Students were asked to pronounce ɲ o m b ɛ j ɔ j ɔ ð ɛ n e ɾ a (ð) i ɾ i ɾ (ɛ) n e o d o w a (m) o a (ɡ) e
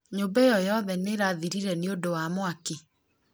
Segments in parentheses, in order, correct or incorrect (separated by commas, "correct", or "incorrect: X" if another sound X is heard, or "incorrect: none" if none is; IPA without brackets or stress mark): correct, correct, correct, incorrect: k